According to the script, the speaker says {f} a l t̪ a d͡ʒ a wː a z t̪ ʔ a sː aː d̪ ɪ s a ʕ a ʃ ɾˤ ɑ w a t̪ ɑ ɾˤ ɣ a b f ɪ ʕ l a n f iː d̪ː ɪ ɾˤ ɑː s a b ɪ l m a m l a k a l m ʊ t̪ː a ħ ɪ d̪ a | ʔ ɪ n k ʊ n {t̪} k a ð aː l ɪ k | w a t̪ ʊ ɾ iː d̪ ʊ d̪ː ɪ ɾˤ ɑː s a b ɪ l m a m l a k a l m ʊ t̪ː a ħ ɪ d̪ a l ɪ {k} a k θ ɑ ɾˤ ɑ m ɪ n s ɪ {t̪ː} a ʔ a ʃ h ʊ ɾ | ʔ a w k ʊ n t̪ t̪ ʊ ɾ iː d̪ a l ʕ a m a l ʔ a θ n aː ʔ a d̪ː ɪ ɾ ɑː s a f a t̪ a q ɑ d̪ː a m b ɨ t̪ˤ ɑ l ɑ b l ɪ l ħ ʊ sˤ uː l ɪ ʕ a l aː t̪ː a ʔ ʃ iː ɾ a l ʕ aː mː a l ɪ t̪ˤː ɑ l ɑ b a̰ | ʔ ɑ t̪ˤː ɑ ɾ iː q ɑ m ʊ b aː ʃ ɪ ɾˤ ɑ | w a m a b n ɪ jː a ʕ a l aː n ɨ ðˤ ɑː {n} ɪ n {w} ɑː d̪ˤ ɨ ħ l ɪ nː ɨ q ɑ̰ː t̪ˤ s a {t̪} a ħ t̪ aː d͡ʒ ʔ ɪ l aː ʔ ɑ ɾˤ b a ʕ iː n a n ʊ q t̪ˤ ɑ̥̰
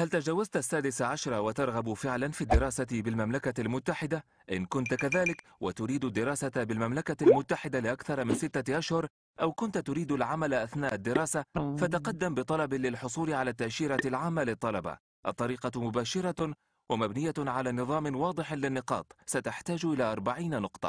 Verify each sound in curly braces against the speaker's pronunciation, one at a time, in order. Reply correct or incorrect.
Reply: incorrect, correct, incorrect, correct, incorrect, correct, correct

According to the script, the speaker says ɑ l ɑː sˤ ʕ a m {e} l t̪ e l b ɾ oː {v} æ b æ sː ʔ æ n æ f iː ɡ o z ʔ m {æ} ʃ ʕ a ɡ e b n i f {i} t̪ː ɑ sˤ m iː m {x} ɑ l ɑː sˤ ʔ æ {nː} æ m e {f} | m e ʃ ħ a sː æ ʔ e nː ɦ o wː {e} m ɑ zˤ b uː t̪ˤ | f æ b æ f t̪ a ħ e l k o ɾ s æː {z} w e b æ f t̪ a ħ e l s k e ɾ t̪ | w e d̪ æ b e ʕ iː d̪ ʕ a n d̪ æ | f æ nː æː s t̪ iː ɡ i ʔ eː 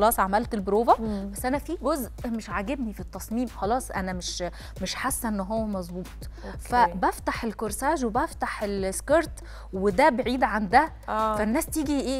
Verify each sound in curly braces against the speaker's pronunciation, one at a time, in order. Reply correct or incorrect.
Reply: incorrect, correct, incorrect, correct, correct, incorrect, incorrect, incorrect, incorrect

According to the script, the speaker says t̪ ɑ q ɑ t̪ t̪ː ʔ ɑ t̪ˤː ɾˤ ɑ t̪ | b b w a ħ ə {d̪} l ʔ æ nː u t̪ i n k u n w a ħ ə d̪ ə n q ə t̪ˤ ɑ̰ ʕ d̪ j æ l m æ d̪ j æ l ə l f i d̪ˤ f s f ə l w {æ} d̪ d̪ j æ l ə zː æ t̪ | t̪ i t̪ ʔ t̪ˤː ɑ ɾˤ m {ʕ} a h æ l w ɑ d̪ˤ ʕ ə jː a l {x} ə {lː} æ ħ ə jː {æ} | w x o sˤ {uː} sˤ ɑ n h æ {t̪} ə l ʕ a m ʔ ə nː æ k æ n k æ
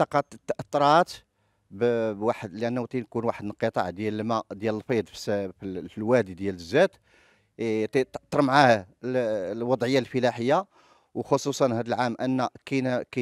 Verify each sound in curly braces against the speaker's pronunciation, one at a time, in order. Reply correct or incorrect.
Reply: correct, correct, correct, incorrect, incorrect, incorrect, incorrect, incorrect

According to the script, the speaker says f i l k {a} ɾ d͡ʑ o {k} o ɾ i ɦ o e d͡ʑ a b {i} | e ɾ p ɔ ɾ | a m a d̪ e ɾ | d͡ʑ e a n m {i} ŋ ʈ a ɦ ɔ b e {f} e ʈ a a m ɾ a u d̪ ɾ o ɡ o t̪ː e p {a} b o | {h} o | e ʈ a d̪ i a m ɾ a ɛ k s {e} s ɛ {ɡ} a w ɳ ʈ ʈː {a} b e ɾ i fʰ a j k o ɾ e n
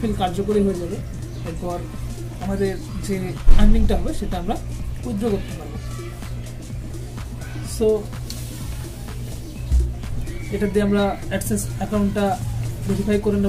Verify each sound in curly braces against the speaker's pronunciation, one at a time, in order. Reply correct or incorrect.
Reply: correct, correct, incorrect, correct, incorrect, correct, incorrect, correct, incorrect, correct

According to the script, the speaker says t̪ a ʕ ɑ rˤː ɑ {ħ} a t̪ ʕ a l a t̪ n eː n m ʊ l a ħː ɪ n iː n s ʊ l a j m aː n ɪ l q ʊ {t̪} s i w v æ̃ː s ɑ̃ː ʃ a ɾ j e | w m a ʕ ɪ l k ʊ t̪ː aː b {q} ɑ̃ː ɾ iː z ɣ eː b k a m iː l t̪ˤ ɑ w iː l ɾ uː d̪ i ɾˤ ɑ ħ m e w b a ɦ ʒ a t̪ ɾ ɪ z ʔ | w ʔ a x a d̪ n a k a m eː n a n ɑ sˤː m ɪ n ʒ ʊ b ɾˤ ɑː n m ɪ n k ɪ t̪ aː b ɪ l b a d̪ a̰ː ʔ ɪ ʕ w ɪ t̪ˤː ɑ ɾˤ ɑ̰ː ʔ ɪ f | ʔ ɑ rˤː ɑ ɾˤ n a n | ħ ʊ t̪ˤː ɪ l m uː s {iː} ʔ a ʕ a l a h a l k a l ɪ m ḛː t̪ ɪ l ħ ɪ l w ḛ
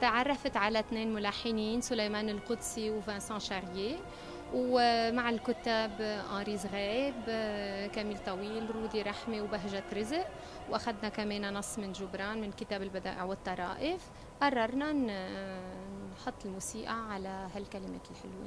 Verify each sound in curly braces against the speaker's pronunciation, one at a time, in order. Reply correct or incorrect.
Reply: incorrect, incorrect, incorrect, correct

